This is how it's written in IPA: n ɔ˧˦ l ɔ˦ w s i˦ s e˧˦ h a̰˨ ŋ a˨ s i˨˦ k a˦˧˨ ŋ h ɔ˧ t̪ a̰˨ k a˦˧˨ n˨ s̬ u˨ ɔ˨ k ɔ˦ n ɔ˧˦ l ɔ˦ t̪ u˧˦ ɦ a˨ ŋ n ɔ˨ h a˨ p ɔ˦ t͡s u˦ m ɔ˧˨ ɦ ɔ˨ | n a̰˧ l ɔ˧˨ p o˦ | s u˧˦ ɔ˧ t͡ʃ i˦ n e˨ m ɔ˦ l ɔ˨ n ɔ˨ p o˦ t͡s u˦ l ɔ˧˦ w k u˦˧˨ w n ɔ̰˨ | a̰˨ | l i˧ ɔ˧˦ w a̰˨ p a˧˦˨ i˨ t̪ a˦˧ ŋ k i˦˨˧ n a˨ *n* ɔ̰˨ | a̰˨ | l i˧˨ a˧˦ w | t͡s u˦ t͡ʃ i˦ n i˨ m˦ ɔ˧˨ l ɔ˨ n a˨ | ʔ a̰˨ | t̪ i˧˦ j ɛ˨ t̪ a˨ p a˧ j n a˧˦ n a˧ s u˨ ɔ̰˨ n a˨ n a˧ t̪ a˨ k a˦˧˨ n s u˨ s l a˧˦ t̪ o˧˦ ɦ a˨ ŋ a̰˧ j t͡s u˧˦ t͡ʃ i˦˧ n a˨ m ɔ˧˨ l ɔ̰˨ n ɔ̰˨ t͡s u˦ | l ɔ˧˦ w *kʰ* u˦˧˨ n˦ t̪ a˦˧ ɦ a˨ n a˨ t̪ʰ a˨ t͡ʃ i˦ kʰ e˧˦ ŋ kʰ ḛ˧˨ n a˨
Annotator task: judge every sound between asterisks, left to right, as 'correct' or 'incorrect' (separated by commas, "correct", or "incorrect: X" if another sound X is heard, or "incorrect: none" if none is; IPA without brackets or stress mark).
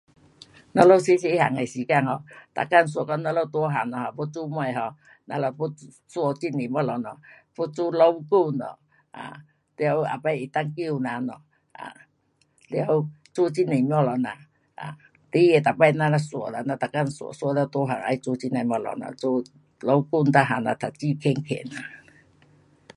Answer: correct, incorrect: k